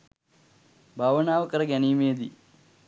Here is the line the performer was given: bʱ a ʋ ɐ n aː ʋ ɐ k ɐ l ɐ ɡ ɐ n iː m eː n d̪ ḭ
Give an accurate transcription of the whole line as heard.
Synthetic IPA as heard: bʱ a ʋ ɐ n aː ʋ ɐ k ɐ ɾ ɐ ɡ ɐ n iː m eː d̪ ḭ